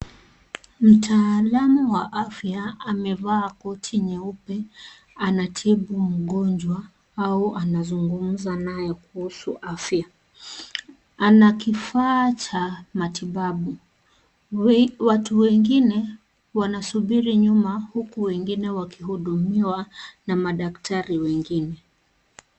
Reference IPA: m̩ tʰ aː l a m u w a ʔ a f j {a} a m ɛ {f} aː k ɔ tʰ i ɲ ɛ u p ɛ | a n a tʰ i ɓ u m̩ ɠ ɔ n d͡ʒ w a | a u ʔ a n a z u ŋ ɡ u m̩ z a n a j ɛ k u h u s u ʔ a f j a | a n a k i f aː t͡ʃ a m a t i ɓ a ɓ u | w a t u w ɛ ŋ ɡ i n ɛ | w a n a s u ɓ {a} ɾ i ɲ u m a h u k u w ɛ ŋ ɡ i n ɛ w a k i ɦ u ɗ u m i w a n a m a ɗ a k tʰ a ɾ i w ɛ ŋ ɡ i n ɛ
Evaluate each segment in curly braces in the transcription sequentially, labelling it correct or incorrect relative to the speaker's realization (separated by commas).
correct, incorrect, incorrect